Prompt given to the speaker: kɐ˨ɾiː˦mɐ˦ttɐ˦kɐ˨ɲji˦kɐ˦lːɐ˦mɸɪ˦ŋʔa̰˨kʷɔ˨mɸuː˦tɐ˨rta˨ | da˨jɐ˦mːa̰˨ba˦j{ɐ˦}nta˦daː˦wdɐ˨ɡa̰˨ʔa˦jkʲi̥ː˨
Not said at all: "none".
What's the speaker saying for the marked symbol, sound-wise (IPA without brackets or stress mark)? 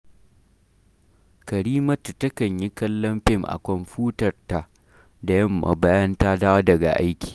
ɐ˦